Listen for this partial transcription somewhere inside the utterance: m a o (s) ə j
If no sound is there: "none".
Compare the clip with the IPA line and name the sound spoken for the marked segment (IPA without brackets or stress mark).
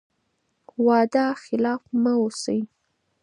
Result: s